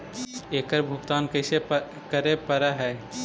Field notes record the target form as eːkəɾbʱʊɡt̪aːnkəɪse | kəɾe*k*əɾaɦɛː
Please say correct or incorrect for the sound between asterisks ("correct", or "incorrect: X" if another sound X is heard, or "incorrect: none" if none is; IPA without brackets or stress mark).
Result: incorrect: p